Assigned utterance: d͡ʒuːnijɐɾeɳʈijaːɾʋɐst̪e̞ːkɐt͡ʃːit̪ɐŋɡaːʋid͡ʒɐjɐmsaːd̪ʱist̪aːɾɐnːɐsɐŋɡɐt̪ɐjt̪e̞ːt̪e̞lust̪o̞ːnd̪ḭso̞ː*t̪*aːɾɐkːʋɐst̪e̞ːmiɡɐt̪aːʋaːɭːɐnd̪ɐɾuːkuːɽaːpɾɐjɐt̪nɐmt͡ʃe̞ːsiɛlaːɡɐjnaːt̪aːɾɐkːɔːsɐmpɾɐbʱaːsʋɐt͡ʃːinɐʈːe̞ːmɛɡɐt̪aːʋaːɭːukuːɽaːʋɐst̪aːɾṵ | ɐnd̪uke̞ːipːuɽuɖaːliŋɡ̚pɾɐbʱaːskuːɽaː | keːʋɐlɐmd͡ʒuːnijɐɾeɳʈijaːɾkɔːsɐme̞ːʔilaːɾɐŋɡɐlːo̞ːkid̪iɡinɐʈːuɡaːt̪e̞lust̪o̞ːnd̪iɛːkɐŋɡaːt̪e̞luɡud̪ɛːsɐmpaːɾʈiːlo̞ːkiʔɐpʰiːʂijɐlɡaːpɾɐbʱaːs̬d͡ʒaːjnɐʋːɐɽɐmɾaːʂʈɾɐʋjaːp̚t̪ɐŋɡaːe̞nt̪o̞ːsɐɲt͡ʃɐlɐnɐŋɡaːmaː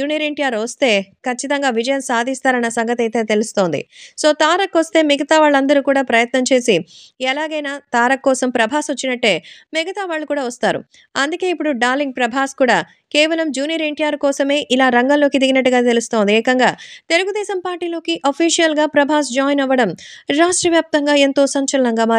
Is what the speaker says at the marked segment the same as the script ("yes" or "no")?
yes